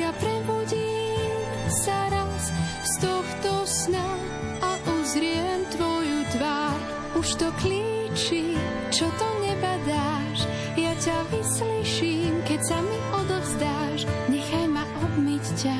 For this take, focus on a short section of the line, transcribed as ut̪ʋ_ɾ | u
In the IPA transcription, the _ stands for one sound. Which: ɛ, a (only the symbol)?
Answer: a